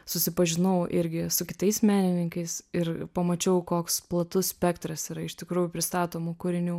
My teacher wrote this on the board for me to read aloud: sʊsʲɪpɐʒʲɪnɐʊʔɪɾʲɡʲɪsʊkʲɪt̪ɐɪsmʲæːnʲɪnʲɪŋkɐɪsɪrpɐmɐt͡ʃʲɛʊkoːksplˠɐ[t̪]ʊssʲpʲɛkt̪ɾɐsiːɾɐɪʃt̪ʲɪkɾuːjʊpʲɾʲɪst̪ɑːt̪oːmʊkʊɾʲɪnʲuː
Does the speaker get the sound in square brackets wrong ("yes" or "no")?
no